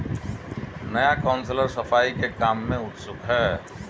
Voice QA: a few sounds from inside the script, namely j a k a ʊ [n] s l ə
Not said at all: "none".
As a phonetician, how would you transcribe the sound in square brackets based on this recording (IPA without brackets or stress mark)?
n